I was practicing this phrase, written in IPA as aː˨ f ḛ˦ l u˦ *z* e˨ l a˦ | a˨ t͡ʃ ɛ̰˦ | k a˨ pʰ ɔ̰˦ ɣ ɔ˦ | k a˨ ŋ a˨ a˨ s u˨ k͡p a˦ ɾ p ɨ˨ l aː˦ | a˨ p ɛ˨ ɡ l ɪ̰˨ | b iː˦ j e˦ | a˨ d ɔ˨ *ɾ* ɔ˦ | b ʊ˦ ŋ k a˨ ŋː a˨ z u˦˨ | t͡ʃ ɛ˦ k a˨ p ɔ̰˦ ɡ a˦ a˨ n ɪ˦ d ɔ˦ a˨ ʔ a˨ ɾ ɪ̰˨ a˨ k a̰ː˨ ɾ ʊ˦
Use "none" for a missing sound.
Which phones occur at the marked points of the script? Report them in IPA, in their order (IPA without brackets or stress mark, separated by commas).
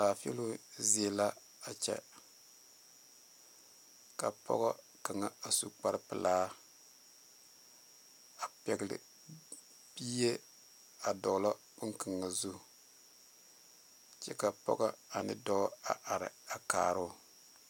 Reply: z, l